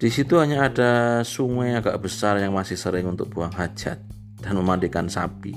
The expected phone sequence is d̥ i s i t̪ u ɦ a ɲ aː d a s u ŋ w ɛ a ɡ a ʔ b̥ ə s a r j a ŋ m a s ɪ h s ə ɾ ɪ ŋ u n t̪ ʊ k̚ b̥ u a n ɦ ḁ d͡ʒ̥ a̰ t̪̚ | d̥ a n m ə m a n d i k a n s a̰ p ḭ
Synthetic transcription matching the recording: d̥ i s i t̪ u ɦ a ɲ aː d a s u ŋ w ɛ a ɡ a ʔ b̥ ə s a r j a ŋ m a s ɪ h s ə ɾ ɪ ŋ u n t̪ ʊ k̚ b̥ u a ŋ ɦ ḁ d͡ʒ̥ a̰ t̪̚ | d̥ a n m ə m a n d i k a n s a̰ p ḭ